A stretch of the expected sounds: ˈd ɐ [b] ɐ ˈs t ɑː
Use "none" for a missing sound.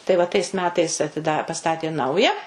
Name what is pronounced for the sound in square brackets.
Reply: p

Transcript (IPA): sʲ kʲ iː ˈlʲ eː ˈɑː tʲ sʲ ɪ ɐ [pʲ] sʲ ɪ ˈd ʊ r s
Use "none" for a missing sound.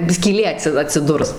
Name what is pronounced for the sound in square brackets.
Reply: tʲ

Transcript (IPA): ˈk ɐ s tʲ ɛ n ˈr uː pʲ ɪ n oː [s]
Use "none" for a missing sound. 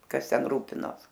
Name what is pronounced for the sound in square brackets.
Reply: s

